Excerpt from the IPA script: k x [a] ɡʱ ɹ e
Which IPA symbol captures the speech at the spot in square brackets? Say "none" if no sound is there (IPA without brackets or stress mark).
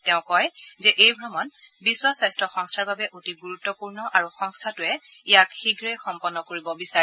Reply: i